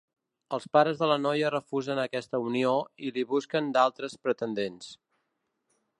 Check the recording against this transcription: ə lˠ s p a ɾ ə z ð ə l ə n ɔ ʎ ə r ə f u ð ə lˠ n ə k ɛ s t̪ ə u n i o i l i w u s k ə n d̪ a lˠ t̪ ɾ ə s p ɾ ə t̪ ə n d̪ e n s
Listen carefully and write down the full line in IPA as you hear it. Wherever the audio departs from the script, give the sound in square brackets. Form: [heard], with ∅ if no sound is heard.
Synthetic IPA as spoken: ə lˠ s p a ɾ ə z ð ə l ə n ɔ [j] ə r ə f u [z] ə [∅] n ə k ɛ s t̪ ə u n i o i l i [β] u s k ə n d̪ a lˠ t̪ ɾ ə s p ɾ ə t̪ ə n d̪ e n s